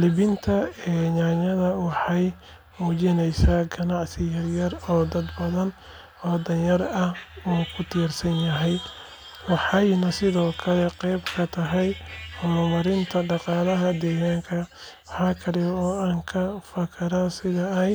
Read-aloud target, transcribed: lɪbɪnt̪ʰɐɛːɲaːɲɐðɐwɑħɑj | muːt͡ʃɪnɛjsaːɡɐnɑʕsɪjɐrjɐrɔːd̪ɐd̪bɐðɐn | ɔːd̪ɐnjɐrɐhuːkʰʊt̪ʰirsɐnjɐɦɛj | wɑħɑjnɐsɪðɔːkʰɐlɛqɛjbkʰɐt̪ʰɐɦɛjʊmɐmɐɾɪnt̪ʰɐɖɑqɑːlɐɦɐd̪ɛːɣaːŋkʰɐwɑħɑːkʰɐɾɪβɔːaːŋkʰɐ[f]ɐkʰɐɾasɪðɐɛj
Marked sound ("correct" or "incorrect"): correct